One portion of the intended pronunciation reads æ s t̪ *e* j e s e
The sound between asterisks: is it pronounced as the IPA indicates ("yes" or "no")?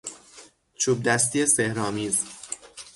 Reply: no